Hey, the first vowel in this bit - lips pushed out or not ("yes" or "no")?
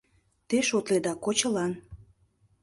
no